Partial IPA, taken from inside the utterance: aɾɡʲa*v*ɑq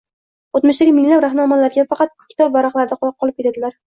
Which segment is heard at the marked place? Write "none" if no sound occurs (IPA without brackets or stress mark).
f